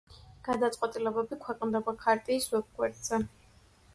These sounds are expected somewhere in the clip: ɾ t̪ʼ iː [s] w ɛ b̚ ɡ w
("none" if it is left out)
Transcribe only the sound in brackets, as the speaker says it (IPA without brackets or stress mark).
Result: s